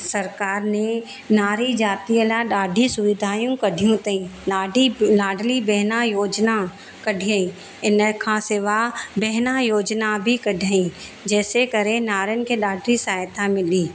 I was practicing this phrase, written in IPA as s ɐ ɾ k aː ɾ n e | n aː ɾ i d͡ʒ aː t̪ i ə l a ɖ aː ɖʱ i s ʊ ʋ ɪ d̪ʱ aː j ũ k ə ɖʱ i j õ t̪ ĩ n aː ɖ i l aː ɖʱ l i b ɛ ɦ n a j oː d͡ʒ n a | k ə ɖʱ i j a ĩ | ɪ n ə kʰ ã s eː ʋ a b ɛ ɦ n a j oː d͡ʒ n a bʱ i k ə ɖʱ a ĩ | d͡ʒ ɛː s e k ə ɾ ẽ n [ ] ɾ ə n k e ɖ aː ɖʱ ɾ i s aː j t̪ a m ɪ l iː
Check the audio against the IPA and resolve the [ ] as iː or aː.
aː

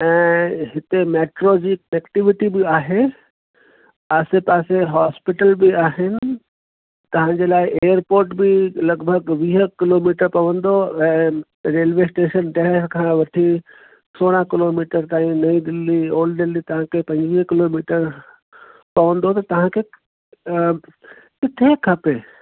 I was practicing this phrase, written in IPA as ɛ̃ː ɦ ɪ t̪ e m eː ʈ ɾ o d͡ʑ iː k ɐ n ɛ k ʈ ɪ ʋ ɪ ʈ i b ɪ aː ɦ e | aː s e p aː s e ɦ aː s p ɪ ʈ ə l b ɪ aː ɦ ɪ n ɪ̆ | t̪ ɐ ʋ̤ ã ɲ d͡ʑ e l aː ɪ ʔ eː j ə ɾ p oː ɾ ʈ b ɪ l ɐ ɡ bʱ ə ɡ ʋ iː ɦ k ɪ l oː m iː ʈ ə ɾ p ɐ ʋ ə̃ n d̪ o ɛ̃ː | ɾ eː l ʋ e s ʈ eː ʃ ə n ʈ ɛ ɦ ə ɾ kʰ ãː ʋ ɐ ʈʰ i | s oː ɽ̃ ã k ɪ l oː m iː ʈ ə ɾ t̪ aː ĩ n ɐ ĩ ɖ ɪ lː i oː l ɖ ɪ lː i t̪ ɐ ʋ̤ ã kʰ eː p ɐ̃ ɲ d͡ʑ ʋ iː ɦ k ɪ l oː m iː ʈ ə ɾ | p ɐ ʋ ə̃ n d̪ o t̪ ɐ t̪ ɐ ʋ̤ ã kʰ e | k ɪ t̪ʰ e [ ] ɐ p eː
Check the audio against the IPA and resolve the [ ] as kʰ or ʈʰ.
kʰ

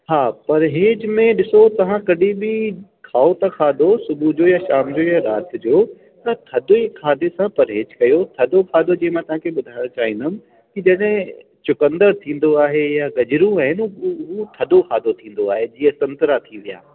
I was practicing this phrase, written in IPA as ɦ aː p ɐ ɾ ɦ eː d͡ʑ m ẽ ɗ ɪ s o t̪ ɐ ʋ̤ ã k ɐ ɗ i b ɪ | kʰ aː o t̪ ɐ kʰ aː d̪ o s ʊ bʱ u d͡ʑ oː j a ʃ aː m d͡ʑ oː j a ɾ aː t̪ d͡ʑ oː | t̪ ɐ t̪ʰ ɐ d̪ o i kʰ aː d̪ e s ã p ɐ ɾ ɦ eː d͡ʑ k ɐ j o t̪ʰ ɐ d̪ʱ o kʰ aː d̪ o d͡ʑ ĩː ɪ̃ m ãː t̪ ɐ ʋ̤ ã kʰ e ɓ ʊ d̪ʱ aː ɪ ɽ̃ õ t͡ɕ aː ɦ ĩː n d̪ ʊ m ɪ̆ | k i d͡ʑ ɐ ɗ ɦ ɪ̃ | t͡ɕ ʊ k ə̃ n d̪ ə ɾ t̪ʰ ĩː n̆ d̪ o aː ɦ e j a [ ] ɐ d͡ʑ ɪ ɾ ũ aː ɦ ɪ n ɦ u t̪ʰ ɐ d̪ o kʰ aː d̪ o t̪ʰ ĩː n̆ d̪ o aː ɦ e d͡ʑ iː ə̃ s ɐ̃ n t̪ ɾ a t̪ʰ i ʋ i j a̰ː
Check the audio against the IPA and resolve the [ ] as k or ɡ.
ɡ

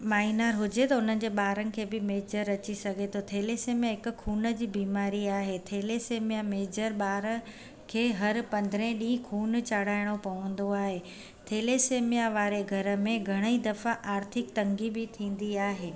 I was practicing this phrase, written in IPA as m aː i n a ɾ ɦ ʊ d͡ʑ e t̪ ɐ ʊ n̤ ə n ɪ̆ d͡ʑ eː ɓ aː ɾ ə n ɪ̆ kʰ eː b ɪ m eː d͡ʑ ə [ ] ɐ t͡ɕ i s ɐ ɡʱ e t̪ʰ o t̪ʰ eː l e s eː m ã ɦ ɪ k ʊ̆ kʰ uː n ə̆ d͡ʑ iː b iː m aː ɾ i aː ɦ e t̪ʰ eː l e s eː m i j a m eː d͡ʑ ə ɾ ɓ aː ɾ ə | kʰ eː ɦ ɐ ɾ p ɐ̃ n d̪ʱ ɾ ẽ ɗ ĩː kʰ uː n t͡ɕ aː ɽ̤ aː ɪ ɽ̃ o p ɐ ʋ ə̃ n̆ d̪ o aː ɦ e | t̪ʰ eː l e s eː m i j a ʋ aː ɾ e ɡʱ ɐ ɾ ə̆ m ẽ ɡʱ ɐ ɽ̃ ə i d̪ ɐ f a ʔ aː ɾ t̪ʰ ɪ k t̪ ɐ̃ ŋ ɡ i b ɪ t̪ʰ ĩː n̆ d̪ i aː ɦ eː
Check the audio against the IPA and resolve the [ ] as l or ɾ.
ɾ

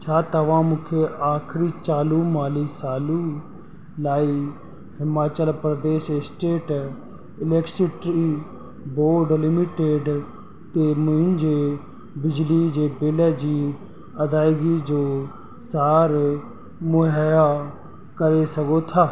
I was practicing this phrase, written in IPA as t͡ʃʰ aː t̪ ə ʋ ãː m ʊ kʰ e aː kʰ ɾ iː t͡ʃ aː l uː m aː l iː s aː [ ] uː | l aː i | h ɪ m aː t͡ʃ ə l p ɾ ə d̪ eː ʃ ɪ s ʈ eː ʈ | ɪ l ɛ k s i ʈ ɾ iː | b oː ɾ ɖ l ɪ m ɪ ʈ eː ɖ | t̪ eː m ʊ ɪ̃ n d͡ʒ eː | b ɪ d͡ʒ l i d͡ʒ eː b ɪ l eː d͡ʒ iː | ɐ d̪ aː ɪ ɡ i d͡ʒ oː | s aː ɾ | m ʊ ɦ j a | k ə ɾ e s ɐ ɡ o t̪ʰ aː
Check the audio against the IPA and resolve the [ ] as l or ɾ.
l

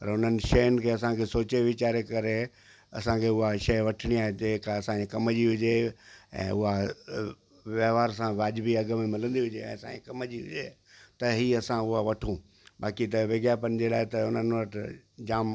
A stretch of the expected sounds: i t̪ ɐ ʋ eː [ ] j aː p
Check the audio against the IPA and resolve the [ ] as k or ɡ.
ɡ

